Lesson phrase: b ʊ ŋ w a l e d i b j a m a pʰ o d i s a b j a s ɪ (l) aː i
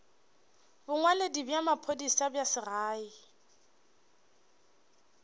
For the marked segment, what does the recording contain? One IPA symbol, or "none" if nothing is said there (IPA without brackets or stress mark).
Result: r